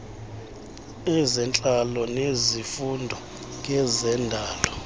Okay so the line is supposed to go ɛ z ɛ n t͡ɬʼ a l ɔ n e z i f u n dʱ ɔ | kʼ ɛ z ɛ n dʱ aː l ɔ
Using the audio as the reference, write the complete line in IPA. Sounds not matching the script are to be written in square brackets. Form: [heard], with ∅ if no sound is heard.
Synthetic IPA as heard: ɛ z ɛ n t͡ɬʼ a l ɔ n e z i f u n dʱ ɔ | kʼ ɛ z ɛ n dʱ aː l ɔ